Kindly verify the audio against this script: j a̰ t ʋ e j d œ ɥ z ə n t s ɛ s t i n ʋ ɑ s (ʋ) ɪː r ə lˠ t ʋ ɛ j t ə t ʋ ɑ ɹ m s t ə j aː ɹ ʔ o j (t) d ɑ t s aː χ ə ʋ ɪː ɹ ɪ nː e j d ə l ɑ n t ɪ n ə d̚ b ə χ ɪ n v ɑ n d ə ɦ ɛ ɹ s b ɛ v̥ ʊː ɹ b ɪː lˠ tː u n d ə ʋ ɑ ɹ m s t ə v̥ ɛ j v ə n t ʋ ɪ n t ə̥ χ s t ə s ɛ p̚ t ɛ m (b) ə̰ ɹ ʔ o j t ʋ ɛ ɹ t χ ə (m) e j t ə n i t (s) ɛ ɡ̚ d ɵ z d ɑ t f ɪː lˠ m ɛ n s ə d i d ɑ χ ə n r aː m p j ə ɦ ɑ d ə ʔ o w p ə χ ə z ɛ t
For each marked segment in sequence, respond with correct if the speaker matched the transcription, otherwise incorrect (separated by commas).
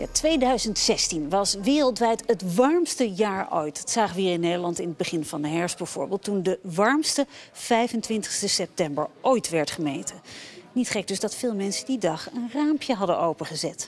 correct, correct, correct, correct, incorrect